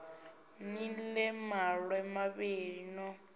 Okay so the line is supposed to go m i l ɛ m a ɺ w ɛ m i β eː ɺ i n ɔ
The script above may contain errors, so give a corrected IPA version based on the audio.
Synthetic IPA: n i l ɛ m a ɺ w ɛ m a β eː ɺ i n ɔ